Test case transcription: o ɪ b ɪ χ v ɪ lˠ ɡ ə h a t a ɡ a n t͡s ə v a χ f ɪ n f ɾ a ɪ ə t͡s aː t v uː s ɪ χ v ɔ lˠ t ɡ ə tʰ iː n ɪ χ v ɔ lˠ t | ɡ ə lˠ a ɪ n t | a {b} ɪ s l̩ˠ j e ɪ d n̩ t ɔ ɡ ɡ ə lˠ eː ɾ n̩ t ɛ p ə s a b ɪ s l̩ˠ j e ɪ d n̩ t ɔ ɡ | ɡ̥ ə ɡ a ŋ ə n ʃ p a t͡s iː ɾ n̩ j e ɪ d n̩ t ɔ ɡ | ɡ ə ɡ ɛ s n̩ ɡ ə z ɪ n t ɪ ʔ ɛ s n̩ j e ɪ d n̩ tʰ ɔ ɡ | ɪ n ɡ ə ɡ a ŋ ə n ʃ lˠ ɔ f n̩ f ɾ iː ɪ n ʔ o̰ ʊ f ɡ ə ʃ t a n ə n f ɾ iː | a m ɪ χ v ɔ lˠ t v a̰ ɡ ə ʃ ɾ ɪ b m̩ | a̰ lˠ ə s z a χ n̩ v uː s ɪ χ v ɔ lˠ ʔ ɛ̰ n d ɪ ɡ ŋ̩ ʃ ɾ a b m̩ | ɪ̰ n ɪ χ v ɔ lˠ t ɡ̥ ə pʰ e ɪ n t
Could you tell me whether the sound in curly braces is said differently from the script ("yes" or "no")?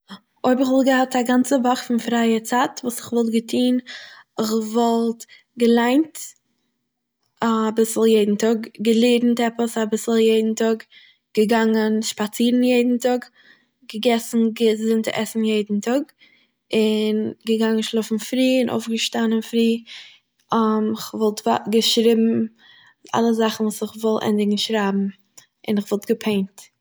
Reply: no